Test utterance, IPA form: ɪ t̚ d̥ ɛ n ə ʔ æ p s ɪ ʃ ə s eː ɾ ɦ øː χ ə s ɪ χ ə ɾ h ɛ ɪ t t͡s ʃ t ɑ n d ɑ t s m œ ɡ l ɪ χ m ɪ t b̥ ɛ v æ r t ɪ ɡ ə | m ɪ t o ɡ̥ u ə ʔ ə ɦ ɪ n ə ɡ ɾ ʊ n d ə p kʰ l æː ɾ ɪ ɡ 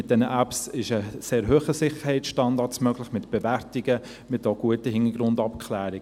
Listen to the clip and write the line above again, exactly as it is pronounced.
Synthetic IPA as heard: ɪ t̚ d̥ ɛ n ə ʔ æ p s ɪ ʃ ə s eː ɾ ɦ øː χ ə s ɪ χ ə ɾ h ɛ ɪ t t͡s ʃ t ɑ n d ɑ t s m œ ɡ l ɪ χ m ɪ t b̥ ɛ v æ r t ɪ ɡ ə | m ɪ t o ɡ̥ u ə t ə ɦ ɪ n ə ɡ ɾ ʊ n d ɑ p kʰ l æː ɾ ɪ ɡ